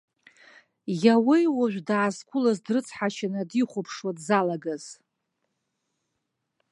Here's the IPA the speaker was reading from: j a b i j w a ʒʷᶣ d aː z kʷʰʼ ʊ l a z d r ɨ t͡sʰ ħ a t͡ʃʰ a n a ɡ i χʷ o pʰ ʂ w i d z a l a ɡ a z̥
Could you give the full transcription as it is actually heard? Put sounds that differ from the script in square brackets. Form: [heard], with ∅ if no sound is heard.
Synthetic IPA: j a [w] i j w a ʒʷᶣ d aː z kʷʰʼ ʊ l a z d r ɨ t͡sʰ ħ a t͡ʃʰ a n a [d] i χʷ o pʰ ʂ w [a] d z a l a ɡ a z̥